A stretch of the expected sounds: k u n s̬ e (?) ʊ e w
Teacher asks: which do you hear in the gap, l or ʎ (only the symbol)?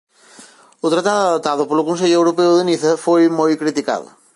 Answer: ʎ